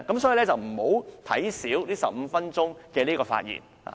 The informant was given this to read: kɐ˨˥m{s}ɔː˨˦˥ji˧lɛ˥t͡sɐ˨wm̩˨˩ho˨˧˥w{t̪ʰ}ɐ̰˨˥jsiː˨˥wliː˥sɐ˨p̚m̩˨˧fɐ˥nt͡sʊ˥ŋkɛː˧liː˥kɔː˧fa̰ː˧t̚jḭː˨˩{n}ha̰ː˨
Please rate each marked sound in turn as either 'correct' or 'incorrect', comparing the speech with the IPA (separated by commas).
correct, correct, correct